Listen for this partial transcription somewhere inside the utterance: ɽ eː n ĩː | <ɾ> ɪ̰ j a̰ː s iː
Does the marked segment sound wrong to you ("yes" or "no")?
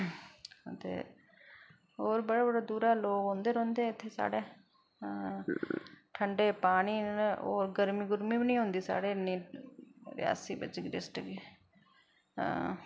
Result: no